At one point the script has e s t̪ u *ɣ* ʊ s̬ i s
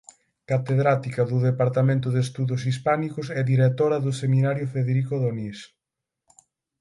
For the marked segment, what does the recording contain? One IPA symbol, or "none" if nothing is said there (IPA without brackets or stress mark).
ð